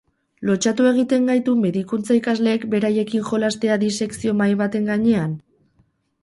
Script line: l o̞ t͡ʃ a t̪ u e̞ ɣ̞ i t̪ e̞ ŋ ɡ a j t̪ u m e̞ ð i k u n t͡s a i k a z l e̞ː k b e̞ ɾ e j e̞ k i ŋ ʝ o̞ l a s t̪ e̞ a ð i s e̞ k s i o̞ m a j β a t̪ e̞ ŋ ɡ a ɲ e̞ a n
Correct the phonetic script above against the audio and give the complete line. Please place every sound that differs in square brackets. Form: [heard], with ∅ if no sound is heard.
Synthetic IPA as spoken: l o̞ t͡ʃ a t̪ u e̞ ɣ̞ i t̪ e̞ ŋ ɡ a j t̪ u m e̞ ð i k u n t͡s a i k a z l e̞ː k b e̞ ɾ [a] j e̞ k i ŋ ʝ o̞ l a s t̪ e̞ a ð i s e̞ k s i o̞ m a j β a t̪ e̞ ŋ ɡ a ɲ e̞ a n

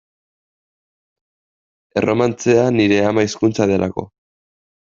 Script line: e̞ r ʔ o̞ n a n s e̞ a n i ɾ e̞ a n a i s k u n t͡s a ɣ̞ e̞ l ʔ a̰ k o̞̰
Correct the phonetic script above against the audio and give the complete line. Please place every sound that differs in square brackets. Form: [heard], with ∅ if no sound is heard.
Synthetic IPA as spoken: e̞ r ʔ o̞ [m] a n [t͡s] e̞ a n i ɾ e̞ a [m] a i s k u n t͡s a [ð̞] e̞ l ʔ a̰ k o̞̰

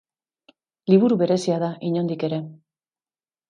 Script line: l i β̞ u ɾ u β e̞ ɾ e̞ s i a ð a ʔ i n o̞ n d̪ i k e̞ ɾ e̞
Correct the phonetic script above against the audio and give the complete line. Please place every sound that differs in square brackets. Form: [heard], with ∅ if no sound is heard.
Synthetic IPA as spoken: l i β̞ u ɾ u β e̞ ɾ e̞ s i a ð a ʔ i [ɲ] o̞ n d̪ i k e̞ ɾ e̞

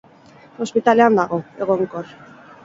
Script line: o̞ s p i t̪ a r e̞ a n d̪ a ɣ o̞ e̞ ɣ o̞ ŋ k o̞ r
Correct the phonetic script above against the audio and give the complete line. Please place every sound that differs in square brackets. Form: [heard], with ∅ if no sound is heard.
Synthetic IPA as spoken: o̞ s p i t̪ a [l] e̞ a n d̪ a ɣ o̞ e̞ ɣ o̞ ŋ k o̞ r

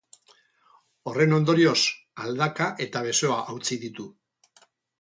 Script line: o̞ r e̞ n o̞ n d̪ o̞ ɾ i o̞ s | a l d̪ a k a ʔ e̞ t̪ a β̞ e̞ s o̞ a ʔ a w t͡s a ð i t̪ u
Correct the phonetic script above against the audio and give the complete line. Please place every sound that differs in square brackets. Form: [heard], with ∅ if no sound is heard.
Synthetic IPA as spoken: o̞ r e̞ n o̞ n d̪ o̞ ɾ i o̞ s | a l d̪ a k a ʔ e̞ t̪ a β̞ e̞ s o̞ a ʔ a w t͡s [i] ð i t̪ u

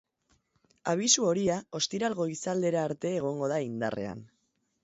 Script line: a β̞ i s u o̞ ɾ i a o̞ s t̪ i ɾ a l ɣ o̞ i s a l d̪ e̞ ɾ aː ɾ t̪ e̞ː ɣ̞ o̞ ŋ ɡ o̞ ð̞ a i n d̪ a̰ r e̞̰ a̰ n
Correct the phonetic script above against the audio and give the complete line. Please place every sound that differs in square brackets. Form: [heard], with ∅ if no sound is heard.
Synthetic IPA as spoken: a β̞ i s u o̞ ɾ i a o̞ s t̪ i ɾ a l ɣ o̞ i s a l d̪ e̞ ɾ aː ɾ t̪ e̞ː ɣ̞ o̞ ŋ ɡ o̞ ð̞ a i n d̪ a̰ r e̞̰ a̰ n

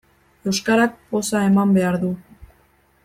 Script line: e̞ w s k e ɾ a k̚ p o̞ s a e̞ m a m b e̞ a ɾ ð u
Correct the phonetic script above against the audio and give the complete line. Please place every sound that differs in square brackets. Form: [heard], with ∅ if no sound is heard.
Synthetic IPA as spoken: e̞ w s k [a] ɾ a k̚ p o̞ s a e̞ m a m b e̞ a ɾ ð u

